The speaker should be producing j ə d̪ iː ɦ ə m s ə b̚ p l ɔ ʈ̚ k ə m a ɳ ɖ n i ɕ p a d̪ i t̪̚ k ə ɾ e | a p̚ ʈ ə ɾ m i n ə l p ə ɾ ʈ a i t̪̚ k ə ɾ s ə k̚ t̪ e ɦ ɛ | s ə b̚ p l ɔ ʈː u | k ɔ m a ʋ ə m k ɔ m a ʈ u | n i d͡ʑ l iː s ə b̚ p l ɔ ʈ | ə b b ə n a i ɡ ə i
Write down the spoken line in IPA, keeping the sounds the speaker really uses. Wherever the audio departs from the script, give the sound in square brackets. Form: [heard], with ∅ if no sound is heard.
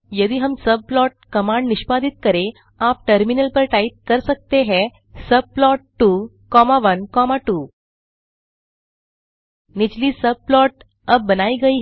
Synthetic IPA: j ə d̪ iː ɦ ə m s ə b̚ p l ɔ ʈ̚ k ə m a ɳ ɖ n i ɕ p a d̪ i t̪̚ k ə ɾ e | a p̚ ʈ ə ɾ m i n ə l p ə ɾ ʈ a i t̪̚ k ə ɾ s ə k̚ t̪ e ɦ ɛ | s ə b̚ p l ɔ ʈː u | k ɔ m a ʋ ə [n] k ɔ m a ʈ u | n i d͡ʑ l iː s ə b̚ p l ɔ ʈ | ə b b ə n a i ɡ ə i